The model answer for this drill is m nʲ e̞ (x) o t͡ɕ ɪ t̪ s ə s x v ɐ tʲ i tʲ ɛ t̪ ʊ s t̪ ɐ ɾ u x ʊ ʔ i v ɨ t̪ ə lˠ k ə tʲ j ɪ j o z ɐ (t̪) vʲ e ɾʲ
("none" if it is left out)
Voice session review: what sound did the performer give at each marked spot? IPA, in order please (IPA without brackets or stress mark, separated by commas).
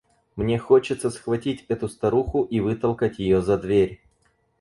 x, d̪